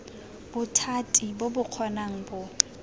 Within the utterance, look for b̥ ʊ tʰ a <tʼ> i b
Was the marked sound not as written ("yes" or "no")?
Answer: no